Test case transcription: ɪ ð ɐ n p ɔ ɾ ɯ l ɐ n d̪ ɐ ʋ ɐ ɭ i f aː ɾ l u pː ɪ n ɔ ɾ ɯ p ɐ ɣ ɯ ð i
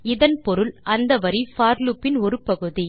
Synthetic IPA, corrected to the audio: ɪ ð ɐ n p ɔ ɾ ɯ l ɐ n d̪ ɐ ʋ ɐ ɾ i f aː ɾ l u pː ɪ n ɔ ɾ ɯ p ɐ ɣ ɯ ð i